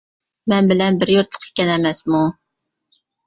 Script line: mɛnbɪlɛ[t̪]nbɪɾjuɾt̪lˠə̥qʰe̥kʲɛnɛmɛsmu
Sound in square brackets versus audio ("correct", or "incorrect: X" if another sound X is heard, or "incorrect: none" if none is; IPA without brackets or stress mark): incorrect: none